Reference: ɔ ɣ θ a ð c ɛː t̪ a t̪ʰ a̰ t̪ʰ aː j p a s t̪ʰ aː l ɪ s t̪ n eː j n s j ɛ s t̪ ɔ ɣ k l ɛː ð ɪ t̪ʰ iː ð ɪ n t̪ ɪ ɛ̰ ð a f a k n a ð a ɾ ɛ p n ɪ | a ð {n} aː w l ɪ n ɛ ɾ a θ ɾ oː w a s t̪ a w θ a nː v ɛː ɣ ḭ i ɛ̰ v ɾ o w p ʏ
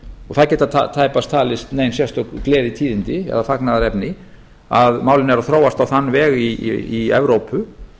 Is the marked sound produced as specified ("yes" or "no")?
no